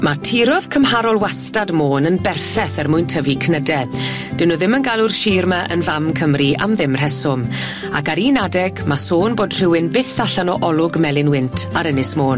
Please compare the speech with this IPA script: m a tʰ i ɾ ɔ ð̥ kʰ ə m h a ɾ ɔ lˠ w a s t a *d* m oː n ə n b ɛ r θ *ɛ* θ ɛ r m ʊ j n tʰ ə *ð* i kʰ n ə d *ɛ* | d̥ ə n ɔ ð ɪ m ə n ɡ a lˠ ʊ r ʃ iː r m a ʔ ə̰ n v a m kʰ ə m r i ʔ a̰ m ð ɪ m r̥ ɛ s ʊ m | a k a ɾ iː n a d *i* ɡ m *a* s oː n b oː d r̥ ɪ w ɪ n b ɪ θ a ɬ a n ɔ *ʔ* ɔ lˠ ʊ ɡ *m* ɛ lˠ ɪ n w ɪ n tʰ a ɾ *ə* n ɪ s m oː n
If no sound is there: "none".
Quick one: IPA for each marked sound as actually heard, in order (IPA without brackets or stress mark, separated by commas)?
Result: d, ɛ, v, ɛ, ɛ, a, ʔ, m, ə